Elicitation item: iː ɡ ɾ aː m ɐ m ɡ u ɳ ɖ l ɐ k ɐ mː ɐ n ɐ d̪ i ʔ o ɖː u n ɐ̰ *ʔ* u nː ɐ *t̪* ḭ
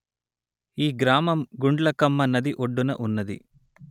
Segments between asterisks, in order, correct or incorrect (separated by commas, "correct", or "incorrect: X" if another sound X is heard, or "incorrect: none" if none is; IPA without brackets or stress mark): correct, incorrect: d̪